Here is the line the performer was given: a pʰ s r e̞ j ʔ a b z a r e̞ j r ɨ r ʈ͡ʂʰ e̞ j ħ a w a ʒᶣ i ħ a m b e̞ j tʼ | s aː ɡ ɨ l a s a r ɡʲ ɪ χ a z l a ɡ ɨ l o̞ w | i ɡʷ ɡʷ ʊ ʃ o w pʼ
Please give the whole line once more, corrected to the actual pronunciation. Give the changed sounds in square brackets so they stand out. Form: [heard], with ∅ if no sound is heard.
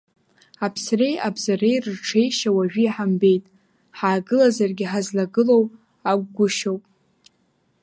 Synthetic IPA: a pʰ s r e̞ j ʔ a b z a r e̞ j r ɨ r ʈ͡ʂʰ e̞ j [ʃ] a w a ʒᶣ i ħ a m b e̞ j tʼ | [ħ] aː ɡ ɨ l a [z] a r ɡʲ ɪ [ħ] a z l a ɡ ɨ l o̞ w | [a] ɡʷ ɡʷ ʊ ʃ o w pʼ